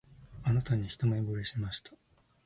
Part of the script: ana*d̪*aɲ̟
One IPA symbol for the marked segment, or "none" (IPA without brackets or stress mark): t̪